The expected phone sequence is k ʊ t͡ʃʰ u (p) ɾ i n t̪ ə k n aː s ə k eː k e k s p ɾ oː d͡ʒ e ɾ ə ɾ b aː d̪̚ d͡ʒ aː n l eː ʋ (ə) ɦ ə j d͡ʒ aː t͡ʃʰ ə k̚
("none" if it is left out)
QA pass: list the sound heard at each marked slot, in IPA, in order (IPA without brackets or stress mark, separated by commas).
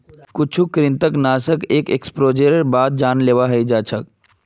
k, a